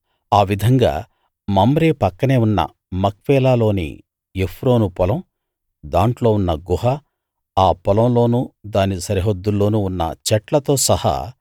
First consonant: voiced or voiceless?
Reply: voiced